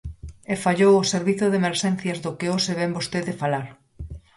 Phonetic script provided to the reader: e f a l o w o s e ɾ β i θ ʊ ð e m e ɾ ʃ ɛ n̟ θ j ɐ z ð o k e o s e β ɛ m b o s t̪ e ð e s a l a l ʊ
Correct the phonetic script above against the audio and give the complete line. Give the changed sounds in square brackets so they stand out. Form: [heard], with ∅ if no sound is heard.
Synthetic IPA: e f a [ʎ] o w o s e ɾ β i θ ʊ ð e m e ɾ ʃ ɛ n̟ θ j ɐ z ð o k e o s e β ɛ m b o s t̪ e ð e [f] a l a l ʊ